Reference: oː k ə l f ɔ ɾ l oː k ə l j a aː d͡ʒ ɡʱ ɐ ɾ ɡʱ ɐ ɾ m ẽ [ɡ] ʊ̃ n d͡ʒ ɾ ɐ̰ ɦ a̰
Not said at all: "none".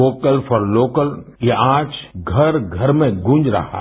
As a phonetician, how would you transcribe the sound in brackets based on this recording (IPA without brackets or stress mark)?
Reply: ɡ